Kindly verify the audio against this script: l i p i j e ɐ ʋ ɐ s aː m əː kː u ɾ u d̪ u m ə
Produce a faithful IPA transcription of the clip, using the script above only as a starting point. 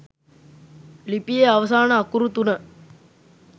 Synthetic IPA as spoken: l i p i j e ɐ ʋ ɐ s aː n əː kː u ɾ u t̪ u n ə